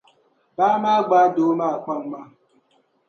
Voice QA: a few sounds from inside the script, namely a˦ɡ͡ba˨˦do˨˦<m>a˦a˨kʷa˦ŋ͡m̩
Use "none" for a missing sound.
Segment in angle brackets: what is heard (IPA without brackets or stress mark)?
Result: m